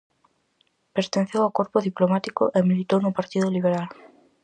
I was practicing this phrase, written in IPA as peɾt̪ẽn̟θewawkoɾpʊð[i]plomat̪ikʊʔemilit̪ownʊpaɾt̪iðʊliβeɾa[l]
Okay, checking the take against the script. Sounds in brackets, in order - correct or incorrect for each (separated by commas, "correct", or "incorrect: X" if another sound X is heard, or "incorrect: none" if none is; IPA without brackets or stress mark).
correct, correct